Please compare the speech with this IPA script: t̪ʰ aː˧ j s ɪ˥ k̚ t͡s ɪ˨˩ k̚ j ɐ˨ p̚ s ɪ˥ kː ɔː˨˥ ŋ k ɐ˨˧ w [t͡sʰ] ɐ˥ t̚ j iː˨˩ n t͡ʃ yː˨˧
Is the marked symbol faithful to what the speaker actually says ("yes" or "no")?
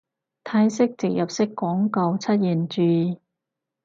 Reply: yes